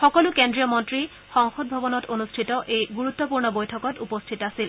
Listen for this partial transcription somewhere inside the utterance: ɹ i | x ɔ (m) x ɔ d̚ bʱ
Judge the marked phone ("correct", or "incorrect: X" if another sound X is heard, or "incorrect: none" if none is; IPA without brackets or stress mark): incorrect: ŋ